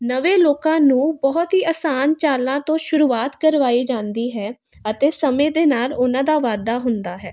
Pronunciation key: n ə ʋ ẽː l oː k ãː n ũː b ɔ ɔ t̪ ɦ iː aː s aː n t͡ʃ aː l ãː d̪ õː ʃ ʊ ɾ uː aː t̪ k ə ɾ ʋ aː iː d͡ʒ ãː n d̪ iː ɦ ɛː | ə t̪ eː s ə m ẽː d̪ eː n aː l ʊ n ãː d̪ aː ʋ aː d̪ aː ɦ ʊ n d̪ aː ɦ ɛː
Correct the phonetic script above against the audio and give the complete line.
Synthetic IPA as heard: n ə ʋ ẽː l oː k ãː n ũː b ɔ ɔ t̪ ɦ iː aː s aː n t͡ʃ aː l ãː t̪ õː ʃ ʊ ɾ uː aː t̪ k ə ɾ ʋ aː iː d͡ʒ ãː n d̪ iː ɦ ɛː | ə t̪ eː s ə m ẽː d̪ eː n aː l ʊ n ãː d̪ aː ʋ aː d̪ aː ɦ ʊ n d̪ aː ɦ ɛː